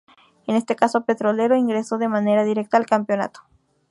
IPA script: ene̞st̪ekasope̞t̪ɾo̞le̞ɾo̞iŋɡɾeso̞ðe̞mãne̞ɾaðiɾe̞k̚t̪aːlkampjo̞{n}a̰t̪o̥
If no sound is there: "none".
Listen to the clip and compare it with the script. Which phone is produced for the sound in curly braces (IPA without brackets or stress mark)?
n